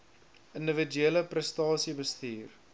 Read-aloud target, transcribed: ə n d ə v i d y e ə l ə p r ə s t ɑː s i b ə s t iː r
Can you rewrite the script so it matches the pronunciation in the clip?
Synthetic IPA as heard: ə n d ə v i d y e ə l ə p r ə s t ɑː s i b ə s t iː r